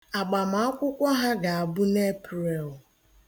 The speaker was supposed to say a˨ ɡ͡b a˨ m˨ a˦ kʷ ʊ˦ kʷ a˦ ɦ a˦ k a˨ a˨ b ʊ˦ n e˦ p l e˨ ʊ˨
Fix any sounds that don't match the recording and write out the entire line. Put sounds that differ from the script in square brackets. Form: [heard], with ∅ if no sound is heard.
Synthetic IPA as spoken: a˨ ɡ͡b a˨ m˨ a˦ kʷ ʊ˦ kʷ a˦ ɦ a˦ [ɡ] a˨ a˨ b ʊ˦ n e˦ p [ɾ] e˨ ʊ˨

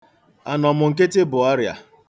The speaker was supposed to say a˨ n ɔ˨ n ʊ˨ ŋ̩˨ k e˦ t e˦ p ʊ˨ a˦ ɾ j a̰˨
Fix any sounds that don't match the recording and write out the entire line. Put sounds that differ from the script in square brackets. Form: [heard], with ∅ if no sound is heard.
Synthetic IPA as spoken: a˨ n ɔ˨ [m] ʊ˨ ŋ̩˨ k e˦ t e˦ [b] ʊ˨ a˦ ɾ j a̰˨

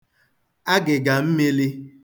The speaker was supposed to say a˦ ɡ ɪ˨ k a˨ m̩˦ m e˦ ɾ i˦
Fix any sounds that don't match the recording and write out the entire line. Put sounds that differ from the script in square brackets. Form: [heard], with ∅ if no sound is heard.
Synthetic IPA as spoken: a˦ ɡ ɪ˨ [ɡ] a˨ m̩˦ m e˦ [l] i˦

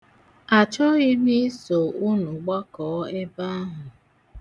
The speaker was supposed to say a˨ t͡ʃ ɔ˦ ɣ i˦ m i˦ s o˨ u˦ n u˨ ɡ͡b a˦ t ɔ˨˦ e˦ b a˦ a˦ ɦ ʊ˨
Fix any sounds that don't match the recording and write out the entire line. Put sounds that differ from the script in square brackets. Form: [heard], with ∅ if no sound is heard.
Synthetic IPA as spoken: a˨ t͡ʃ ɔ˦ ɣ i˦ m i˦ s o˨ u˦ n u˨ ɡ͡b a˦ [k] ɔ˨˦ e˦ b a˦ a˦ ɦ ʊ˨

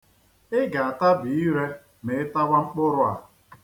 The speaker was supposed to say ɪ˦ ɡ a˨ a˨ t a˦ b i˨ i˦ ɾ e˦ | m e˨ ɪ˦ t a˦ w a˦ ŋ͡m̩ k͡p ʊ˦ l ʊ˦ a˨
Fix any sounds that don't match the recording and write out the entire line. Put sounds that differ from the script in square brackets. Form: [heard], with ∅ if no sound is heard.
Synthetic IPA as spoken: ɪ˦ ɡ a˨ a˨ t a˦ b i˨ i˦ ɾ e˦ | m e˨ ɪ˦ t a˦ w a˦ ŋ͡m̩ k͡p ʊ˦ [ɾ] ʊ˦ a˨

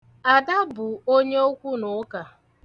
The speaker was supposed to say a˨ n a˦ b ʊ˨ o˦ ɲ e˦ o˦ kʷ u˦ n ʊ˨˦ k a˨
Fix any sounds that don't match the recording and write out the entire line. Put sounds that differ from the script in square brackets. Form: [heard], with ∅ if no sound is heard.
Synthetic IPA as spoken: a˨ [d] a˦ b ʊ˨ o˦ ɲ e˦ o˦ kʷ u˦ n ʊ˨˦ k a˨

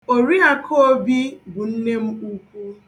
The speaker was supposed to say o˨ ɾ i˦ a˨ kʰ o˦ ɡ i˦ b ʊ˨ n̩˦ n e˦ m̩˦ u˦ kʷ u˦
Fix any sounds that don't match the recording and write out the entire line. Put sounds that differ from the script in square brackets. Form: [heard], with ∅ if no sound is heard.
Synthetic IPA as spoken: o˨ ɾ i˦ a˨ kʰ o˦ [b] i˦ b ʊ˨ n̩˦ n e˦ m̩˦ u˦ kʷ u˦

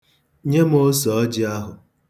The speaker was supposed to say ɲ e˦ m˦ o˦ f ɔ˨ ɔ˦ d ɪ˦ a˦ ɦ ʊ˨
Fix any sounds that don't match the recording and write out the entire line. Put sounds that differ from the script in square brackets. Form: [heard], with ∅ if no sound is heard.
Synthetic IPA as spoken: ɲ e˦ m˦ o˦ [s] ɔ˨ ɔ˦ [d͡ʒ] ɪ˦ a˦ ɦ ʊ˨

